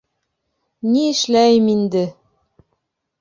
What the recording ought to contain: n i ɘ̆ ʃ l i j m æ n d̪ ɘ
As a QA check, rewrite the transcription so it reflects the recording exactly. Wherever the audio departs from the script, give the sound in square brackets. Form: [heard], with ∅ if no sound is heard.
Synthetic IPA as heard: n i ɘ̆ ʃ l [æ] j m [i] n d̪ ɘ

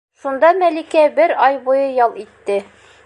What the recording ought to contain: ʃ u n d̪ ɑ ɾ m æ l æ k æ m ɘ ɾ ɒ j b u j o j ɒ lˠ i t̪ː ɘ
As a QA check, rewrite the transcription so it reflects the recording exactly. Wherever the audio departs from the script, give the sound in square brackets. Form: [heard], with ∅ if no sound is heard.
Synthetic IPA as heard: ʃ u n d̪ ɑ [∅] m æ l [i] k æ [b] ɘ ɾ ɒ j b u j [ɤ] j ɒ lˠ i t̪ː ɘ

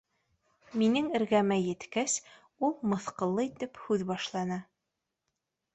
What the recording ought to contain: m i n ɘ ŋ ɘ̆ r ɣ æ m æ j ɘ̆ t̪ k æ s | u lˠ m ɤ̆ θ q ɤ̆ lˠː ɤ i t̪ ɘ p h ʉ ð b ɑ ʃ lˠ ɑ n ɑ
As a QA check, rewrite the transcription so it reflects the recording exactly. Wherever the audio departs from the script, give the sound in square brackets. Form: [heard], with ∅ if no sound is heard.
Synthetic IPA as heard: m i n ɘ ŋ ɘ̆ [ɾ] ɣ æ m æ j ɘ̆ t̪ k æ s | u lˠ m ɤ̆ θ q ɤ̆ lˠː ɤ i t̪ ɘ p h ʉ ð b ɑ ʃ lˠ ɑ n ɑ

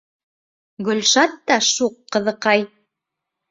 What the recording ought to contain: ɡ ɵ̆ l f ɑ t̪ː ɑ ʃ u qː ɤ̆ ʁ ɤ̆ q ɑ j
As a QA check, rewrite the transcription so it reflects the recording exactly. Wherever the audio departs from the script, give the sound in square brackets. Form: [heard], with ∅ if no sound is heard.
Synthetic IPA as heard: ɡ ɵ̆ l [ʃ] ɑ t̪ː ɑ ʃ u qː ɤ̆ [ð] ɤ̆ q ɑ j

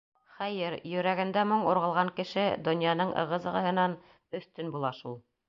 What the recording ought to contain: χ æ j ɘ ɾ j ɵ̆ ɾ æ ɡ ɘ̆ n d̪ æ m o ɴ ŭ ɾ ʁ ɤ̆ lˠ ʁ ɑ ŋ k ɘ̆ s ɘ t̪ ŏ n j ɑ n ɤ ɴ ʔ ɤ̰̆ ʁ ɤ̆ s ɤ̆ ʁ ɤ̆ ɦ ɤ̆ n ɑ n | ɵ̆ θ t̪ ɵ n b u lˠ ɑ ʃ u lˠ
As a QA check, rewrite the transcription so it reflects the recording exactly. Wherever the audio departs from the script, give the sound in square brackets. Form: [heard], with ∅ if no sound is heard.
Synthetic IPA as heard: χ æ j ɘ ɾ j ɵ̆ ɾ æ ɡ ɘ̆ n d̪ æ m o ɴ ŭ ɾ ʁ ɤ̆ lˠ ʁ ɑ ŋ k ɘ̆ [ʃ] ɘ [d̪] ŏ n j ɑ n ɤ ɴ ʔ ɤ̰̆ ʁ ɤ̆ [z] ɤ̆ ʁ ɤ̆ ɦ ɤ̆ n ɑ n | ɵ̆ θ t̪ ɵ n b u lˠ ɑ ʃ u lˠ

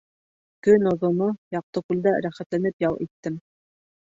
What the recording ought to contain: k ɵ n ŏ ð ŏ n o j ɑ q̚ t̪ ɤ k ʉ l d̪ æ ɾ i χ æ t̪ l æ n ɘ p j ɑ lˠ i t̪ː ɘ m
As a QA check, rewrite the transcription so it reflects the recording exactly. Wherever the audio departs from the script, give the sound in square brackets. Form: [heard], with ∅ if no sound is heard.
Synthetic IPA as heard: k ɵ n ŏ ð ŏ n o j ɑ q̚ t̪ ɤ k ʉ l d̪ æ ɾ [æ] χ æ t̪ l æ n ɘ p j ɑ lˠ i t̪ː ɘ m

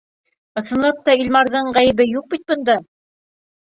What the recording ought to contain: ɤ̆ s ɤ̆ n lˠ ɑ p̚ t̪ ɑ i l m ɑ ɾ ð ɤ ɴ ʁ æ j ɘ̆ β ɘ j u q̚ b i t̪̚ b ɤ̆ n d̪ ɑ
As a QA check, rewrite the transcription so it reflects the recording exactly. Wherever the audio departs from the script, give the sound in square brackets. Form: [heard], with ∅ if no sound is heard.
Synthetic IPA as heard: ɤ̆ s ɤ̆ n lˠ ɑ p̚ t̪ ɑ i l m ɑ ɾ ð ɤ ɴ ʁ æ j ɘ̆ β ɘ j u q̚ b i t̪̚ b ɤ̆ n d̪ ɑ

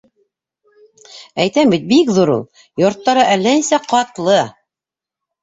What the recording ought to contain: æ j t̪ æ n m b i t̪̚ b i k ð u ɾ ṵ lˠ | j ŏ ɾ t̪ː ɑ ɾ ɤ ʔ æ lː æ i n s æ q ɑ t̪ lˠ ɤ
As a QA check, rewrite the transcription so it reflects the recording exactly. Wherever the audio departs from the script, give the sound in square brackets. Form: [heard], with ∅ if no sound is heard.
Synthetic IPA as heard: æ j t̪ æ [∅] m b i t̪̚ b i k ð u ɾ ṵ lˠ | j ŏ ɾ t̪ː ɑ ɾ ɤ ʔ æ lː æ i n s æ q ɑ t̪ lˠ ɤ

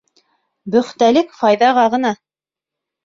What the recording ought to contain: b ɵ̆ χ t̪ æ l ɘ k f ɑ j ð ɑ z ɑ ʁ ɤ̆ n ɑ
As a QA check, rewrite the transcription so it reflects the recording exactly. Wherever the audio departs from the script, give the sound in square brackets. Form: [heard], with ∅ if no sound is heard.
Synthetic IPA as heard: b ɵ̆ χ t̪ æ l ɘ k f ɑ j ð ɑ [ʁ] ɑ ʁ ɤ̆ n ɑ

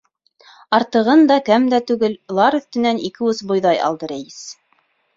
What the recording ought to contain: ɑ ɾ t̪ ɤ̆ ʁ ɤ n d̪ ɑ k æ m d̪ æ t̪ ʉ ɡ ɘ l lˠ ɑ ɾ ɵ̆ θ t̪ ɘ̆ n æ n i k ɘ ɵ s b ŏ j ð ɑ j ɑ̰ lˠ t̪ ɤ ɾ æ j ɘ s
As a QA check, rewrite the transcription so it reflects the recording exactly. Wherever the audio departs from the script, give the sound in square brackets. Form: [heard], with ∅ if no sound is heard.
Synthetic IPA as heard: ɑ ɾ t̪ ɤ̆ ʁ ɤ n d̪ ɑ k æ m d̪ æ t̪ ʉ ɡ ɘ l lˠ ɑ ɾ ɵ̆ θ t̪ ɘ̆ n æ n i k ɘ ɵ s b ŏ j ð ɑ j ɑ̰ lˠ [d̪] ɤ ɾ æ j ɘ s

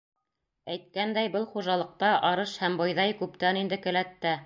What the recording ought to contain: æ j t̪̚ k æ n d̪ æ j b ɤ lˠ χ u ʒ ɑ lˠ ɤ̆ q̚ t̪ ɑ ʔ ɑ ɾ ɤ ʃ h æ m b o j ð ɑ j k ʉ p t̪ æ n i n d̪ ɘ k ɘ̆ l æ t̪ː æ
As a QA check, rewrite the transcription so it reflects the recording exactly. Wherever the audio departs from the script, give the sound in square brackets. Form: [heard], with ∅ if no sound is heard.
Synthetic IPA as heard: æ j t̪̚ k æ n d̪ æ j b ɤ lˠ χ u ʒ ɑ lˠ ɤ̆ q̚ t̪ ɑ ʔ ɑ ɾ ɤ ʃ h æ m b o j ð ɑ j k ʉ p t̪ æ n i n d̪ ɘ k ɘ̆ l æ t̪ː æ

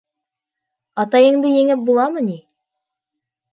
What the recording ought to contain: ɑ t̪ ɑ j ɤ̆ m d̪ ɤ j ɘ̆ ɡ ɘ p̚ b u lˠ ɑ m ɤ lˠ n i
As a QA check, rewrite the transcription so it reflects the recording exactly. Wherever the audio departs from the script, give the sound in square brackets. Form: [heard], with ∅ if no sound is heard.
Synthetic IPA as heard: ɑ t̪ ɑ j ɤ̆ [ɴ] d̪ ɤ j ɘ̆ [ŋ] ɘ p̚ b u lˠ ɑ m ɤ [∅] n i

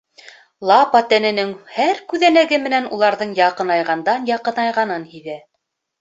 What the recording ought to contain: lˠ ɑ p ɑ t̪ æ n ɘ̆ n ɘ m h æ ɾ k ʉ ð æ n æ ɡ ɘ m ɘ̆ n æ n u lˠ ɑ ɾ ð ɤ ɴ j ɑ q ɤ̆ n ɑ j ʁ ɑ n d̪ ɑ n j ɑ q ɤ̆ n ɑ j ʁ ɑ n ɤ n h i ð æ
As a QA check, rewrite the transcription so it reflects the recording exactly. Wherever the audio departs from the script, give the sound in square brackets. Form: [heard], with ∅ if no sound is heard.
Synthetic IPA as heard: lˠ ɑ p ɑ t̪ æ n ɘ̆ n ɘ [ŋ] h æ ɾ k ʉ ð æ n æ ɡ ɘ m ɘ̆ n æ n u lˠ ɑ ɾ ð ɤ ɴ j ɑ q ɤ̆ n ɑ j ʁ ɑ n d̪ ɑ n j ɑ q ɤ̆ n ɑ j ʁ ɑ n ɤ n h i ð æ

